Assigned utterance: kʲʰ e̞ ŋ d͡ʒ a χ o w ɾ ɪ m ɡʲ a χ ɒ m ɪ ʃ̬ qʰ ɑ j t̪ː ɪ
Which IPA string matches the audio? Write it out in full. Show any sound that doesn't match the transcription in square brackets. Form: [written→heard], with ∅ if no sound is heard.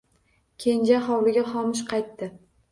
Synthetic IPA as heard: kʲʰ e̞ [ŋ→n] d͡ʒ a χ [o→ɒ] w [ɾ→l] ɪ [m→∅] ɡʲ a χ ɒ m ɪ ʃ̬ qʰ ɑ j t̪ː ɪ